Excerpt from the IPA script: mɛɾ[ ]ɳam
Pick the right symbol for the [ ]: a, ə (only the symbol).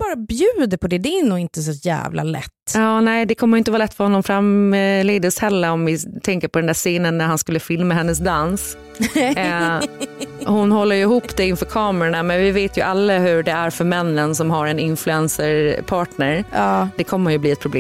a